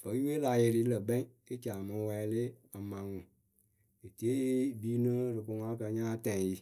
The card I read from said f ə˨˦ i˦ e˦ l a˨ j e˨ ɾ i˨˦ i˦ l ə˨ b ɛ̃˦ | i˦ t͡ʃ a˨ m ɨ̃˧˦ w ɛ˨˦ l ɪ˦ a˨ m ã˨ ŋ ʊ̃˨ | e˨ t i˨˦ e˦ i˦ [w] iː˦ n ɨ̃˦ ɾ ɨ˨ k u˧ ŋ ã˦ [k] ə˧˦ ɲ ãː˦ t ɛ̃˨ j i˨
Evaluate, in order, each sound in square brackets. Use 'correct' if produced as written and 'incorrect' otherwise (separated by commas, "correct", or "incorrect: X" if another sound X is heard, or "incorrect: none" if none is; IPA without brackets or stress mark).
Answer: incorrect: b, correct